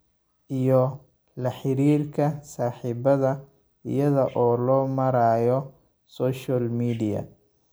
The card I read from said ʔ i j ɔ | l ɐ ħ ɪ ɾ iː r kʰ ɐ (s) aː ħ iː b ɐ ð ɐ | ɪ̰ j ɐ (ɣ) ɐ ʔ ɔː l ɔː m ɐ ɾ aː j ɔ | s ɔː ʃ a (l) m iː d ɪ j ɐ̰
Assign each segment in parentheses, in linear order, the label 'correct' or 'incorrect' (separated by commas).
correct, incorrect, correct